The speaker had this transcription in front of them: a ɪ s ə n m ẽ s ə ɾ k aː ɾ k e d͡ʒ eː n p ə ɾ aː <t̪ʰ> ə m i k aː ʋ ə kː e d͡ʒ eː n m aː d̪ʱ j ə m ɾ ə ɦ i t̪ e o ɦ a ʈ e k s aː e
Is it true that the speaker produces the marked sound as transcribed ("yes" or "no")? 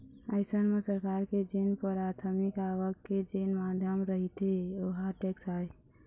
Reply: yes